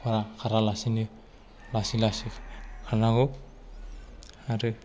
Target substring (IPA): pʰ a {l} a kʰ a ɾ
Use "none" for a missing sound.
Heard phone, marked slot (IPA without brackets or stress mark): ɾ